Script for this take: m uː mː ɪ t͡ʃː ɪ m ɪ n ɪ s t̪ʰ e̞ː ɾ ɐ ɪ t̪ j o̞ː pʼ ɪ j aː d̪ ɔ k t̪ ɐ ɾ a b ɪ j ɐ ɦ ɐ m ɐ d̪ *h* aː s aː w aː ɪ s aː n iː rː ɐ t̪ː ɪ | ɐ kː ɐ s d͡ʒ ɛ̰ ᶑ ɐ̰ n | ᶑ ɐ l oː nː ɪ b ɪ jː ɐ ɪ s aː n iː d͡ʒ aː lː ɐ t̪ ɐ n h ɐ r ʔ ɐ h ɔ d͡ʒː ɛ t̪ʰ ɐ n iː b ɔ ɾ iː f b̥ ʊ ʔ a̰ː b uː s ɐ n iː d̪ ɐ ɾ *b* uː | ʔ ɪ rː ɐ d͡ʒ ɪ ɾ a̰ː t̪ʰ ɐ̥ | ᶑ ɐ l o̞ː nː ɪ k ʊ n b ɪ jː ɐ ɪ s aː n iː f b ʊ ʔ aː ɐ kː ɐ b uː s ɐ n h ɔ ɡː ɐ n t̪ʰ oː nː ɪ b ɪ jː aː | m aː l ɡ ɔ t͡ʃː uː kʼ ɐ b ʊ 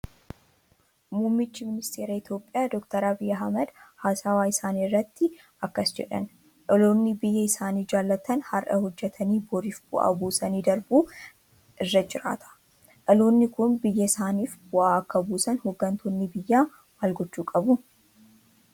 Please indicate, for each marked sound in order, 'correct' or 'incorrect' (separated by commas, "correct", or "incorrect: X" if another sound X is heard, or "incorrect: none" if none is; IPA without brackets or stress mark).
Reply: correct, correct